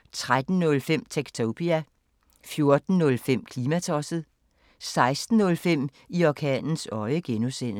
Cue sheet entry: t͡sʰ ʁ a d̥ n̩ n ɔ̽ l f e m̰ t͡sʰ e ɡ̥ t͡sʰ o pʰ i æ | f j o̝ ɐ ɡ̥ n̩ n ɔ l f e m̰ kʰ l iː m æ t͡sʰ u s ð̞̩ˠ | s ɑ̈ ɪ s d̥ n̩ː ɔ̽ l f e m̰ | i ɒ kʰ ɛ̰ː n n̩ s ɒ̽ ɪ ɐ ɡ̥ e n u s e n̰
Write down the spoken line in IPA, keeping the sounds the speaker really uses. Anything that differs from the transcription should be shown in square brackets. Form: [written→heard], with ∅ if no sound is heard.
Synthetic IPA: t͡sʰ ʁ a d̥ n̩ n ɔ̽ l f e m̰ t͡sʰ e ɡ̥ t͡sʰ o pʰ i æ | f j o̝ ɐ [ɡ̥→d̥] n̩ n ɔ l f e m̰ kʰ l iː m æ t͡sʰ [u→ɒ] s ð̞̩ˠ | s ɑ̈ ɪ s d̥ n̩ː ɔ̽ l f e m̰ | i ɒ kʰ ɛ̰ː n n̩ s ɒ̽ ɪ [ɐ→ə] ɡ̥ e n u s e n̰